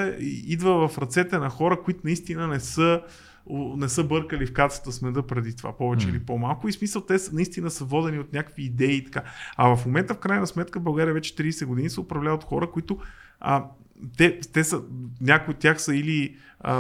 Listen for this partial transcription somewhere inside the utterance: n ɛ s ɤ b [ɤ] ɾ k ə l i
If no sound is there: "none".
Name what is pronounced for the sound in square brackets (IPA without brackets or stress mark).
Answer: ɤ